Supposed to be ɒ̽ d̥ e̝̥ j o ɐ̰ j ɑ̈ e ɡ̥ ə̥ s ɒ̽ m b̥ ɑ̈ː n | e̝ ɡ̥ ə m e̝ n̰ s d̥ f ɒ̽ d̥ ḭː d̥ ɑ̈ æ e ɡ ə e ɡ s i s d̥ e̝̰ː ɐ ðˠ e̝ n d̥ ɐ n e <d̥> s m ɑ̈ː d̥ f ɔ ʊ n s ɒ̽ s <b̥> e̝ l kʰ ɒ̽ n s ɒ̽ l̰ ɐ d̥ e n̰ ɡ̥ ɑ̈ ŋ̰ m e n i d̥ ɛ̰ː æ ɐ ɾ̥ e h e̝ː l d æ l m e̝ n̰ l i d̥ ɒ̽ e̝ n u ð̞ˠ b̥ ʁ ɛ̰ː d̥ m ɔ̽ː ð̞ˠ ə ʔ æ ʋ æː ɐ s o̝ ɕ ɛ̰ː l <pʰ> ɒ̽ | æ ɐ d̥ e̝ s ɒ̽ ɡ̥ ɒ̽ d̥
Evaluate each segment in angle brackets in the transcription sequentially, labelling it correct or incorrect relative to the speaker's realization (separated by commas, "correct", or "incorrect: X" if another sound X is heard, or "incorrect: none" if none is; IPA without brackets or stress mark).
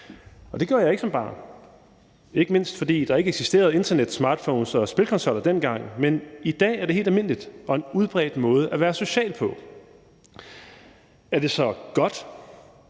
correct, correct, correct